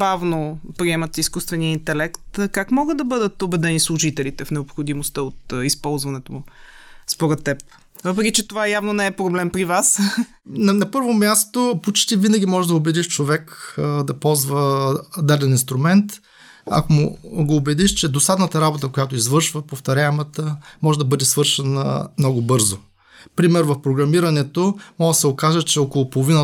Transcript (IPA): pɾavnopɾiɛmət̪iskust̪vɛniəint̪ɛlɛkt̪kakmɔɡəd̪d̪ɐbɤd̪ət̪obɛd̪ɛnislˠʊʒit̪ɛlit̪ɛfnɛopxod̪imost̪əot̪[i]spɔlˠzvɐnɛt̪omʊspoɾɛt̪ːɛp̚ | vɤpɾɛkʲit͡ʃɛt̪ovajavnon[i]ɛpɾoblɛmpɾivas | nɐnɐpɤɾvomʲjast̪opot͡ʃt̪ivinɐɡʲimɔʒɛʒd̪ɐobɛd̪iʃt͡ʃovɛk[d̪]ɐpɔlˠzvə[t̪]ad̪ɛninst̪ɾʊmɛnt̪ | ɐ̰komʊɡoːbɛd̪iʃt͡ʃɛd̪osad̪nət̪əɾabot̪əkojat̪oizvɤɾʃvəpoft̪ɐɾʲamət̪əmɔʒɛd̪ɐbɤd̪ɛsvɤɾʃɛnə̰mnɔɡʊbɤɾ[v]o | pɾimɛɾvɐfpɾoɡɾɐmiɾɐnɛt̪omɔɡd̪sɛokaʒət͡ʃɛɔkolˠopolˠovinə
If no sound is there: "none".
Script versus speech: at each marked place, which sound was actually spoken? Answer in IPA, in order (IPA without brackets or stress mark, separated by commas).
i, ɛ, d̪, d̪, z